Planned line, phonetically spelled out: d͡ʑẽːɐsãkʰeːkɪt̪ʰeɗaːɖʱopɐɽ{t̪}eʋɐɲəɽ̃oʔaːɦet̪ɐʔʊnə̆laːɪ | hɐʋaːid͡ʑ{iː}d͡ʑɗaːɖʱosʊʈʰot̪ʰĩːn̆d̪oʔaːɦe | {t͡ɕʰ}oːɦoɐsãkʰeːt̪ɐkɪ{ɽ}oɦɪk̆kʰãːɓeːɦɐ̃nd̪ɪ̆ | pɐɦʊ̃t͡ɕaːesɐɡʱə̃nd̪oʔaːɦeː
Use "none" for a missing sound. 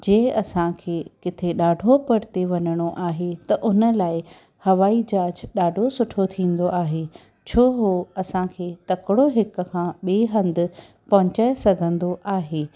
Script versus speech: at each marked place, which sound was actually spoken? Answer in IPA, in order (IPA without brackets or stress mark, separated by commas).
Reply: t̪, aː, t͡ɕʰ, ɽ